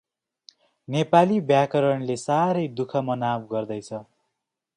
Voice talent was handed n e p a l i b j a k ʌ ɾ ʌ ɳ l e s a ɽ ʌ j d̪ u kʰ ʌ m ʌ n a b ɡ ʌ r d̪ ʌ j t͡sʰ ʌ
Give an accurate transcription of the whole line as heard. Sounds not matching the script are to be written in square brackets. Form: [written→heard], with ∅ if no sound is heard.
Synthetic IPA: n e p a l i b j a k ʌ ɾ ʌ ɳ l e s a [ɽ→ɾ] ʌ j d̪ u kʰ ʌ m ʌ n a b ɡ ʌ r d̪ ʌ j t͡sʰ ʌ